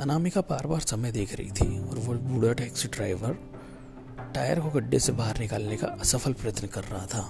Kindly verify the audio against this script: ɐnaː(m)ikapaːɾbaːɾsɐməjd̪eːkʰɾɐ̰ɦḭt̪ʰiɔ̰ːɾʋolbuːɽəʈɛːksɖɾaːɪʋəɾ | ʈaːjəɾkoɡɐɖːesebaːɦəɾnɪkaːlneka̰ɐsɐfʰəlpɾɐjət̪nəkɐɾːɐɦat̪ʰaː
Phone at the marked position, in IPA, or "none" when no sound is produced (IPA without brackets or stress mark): m